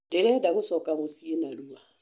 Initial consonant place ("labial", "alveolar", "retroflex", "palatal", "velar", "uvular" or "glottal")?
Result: alveolar